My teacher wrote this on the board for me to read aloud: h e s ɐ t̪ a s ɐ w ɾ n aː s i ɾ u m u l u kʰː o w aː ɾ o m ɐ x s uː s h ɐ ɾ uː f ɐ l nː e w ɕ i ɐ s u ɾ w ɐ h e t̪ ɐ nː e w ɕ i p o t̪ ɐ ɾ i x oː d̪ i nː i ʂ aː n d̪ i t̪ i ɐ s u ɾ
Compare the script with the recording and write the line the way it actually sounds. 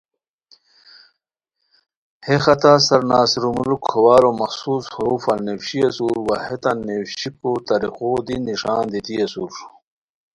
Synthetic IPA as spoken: h e x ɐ t̪ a s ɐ ɾ n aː s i ɾ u m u l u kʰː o w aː ɾ o m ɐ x s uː s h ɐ ɾ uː f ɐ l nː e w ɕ i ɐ s u ɾ w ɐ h e t̪ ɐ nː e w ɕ i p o t̪ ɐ ɾ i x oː d̪ i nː i ʂ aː n d̪ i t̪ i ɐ s u ɾ

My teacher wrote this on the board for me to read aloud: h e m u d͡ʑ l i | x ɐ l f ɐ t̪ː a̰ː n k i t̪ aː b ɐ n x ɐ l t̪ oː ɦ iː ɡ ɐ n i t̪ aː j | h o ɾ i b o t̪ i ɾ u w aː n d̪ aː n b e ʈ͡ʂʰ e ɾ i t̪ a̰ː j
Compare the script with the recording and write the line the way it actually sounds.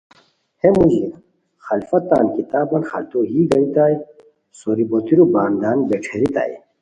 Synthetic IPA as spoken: h e m u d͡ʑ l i | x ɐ l f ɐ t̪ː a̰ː n k i t̪ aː b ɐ n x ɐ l t̪ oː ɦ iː ɡ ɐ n i t̪ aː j | s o ɾ i b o t̪ i ɾ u b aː n d̪ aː n b e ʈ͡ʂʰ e ɾ i t̪ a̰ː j

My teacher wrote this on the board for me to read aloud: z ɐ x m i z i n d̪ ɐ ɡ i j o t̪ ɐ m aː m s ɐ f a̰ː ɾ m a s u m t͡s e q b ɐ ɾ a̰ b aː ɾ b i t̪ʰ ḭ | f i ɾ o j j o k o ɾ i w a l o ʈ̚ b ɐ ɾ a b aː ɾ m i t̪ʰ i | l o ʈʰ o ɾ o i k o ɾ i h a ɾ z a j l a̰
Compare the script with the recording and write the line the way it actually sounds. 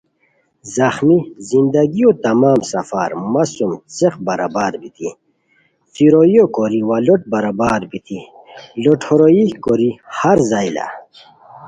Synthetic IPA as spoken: z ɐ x m i z i n d̪ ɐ ɡ i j o t̪ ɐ m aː m s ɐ f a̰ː ɾ m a s u m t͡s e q b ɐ ɾ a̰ b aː ɾ b i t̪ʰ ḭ | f i ɾ o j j o k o ɾ i w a l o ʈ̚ b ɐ ɾ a b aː ɾ b i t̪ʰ i | l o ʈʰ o ɾ o i k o ɾ i h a ɾ z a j l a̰

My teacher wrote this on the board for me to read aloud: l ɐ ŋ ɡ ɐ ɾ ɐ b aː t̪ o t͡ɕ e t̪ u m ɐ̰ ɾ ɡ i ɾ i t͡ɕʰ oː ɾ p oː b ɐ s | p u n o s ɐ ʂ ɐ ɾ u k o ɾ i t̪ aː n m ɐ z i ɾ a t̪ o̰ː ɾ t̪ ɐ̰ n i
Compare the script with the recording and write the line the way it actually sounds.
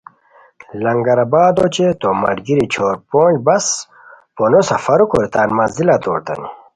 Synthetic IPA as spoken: l ɐ ŋ ɡ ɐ ɾ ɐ b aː d̪ o t͡ɕ e t̪ o m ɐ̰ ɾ ɡ i ɾ i t͡ɕʰ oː ɾ p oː b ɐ s | p o n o s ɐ f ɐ ɾ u k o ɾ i t̪ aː n m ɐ z i l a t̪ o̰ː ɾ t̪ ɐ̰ n i

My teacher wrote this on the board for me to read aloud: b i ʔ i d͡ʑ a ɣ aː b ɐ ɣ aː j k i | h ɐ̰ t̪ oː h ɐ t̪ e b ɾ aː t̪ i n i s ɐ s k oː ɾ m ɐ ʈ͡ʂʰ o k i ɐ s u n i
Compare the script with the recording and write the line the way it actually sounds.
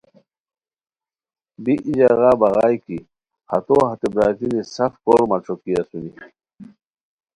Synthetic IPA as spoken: b i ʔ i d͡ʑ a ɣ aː b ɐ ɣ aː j k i | h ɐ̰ t̪ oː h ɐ t̪ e b ɾ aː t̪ i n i s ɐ f k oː ɾ m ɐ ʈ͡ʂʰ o k i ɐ s u n i

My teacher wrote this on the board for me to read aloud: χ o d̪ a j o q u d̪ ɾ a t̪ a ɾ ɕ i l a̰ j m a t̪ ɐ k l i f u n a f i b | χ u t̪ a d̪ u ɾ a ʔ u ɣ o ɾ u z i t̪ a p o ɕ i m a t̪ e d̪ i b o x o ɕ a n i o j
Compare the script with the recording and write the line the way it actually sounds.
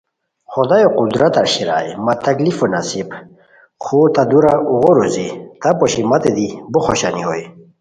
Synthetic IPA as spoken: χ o d̪ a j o q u d̪ ɾ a t̪ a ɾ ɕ i ɾ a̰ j m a t̪ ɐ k l i f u n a s i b | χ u t̪ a d̪ u ɾ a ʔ u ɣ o ɾ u z i t̪ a p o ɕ i m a t̪ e d̪ i b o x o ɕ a n i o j

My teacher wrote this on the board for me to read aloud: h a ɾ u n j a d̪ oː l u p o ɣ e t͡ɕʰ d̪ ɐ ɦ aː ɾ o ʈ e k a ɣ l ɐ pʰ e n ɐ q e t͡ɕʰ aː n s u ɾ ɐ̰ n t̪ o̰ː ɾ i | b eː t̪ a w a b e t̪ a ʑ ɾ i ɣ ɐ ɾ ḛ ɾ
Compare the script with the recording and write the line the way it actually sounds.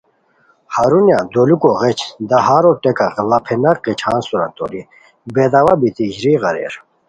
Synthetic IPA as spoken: h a ɾ u n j a d̪ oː l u k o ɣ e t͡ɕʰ d̪ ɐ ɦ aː ɾ o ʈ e k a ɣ l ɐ pʰ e n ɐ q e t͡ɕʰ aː n s u ɾ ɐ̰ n t̪ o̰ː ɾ i | b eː d̪ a w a b i t̪ i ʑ ɾ i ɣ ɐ ɾ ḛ ɾ

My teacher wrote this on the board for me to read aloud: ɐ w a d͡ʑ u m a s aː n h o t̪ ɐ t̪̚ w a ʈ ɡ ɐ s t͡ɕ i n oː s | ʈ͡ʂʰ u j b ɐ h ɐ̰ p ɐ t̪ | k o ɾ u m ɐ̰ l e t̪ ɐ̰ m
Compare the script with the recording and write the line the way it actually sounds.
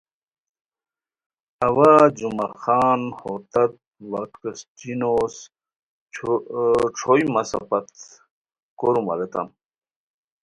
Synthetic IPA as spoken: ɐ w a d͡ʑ u m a x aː n h o t̪ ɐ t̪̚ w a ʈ k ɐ s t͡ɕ i n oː s | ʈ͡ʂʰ o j m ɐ s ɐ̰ p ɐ t̪ | k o ɾ u m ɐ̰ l e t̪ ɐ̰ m

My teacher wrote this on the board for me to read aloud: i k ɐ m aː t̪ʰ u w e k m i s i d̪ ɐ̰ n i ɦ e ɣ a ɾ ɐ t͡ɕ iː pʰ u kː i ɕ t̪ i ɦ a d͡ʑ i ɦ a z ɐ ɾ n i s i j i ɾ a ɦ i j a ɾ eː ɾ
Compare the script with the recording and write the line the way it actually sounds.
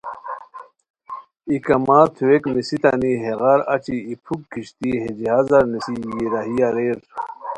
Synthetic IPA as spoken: i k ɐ m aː t̪ʰ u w e k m i s i t̪ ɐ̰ n i ɦ e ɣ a ɾ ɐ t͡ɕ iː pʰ u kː i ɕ t̪ i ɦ e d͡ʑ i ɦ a z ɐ ɾ n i s i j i ɾ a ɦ i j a ɾ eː ɾ

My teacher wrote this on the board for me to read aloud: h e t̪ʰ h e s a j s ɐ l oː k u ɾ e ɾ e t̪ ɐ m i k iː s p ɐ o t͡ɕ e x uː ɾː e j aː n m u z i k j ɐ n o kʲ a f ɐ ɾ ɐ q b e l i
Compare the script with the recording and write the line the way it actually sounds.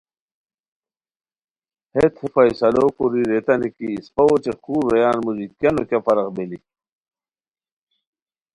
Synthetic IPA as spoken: h e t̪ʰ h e f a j s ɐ l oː k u ɾ i ɾ e t̪ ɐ n i k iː s p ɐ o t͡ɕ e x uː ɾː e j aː n m u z i k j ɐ n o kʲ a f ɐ ɾ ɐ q b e l i

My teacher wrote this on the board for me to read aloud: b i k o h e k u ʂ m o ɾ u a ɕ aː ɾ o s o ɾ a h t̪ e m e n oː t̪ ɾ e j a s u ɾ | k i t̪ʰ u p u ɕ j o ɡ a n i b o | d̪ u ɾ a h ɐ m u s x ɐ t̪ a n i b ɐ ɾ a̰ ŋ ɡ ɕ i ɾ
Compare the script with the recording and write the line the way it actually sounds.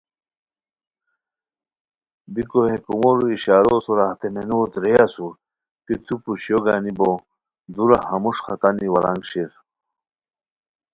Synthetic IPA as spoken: b i k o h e k u m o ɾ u i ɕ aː ɾ o s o ɾ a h t̪ e m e n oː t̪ ɾ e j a s u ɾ | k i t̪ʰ u p u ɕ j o ɡ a n i b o | d̪ u ɾ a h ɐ m u ʂ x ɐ t̪ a n i w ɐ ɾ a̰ ŋ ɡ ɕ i ɾ

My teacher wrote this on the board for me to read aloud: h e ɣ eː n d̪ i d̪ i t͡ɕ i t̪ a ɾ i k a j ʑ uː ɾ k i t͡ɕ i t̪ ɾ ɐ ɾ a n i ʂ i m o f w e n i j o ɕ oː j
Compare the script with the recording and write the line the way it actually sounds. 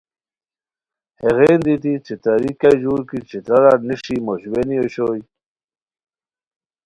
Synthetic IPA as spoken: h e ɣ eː n d̪ i t̪ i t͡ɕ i t̪ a ɾ i k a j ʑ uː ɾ k i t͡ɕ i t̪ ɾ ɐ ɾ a n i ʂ i m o ɕ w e n i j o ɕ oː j

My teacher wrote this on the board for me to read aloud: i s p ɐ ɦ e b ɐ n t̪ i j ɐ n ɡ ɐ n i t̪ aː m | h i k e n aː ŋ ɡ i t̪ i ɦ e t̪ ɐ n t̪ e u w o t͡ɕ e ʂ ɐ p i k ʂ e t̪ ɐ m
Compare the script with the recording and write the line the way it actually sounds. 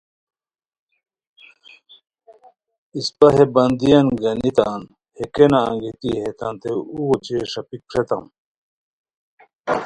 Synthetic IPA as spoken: i s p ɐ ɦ e b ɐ n d̪ i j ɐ n ɡ ɐ n i t̪ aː n | h e k e n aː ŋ ɡ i t̪ i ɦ e t̪ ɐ n t̪ e u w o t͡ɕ e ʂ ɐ p i k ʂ e t̪ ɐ m

